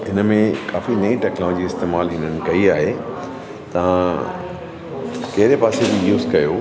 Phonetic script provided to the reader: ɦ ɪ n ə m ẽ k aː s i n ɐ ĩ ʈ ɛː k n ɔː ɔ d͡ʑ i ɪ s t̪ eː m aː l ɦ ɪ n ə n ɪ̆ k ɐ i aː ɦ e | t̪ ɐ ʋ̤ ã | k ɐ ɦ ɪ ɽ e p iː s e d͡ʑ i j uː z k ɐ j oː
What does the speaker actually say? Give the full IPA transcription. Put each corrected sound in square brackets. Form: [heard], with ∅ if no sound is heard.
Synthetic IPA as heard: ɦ ɪ n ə m ẽ k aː [f] i n ɐ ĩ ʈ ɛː k n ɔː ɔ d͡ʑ i ɪ s t̪ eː m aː l ɦ ɪ n ə n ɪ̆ k ɐ i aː ɦ e | t̪ ɐ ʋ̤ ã | k ɐ ɦ ɪ [ɾ] e p [aː] s e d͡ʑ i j uː z k ɐ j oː